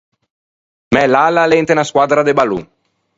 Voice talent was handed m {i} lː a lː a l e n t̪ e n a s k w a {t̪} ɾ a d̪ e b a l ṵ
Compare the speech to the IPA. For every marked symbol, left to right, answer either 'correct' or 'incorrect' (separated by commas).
incorrect, incorrect